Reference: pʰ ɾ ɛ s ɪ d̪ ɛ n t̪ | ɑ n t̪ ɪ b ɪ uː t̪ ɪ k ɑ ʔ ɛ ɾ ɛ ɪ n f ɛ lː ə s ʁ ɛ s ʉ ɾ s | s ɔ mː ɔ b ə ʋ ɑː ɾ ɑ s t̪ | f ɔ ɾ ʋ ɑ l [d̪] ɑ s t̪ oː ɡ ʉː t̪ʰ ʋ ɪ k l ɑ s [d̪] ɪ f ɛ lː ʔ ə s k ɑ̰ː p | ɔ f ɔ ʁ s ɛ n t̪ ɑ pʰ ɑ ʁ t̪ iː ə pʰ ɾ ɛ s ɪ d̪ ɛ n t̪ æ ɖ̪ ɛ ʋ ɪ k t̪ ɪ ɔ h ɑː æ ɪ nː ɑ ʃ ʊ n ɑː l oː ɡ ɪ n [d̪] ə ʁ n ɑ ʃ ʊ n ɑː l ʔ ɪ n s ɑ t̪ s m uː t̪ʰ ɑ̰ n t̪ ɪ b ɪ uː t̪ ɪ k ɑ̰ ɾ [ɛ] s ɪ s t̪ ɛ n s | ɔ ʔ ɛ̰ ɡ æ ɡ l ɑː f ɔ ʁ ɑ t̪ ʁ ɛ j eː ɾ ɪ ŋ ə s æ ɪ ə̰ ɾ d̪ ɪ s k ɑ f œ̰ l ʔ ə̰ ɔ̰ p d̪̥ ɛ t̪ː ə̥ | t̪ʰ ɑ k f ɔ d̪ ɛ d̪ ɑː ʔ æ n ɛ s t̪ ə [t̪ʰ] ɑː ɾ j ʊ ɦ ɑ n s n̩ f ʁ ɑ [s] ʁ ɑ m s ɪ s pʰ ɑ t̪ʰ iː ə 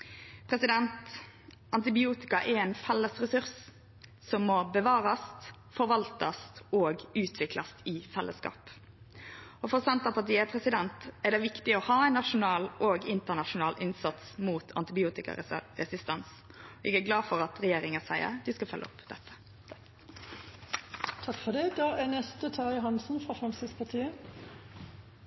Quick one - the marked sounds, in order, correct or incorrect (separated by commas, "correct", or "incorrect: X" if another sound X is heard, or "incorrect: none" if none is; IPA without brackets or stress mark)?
incorrect: t̪, incorrect: t̪, incorrect: t̪, correct, correct, incorrect: f